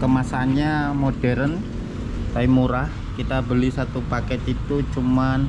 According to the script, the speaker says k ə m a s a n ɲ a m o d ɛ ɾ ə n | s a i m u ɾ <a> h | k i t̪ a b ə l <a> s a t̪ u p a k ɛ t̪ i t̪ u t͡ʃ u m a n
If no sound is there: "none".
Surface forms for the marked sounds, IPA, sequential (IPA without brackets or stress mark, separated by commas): a, i